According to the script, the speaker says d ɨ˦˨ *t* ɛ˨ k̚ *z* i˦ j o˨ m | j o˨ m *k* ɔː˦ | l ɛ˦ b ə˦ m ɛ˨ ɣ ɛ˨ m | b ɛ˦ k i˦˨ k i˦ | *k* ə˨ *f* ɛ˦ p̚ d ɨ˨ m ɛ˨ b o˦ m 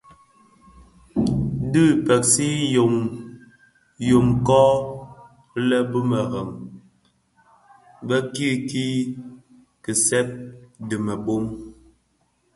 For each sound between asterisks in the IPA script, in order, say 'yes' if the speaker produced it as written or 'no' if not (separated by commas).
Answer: no, no, yes, yes, no